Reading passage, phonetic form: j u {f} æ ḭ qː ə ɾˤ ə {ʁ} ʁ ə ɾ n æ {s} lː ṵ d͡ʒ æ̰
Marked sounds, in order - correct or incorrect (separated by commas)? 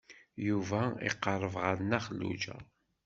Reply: incorrect, incorrect, incorrect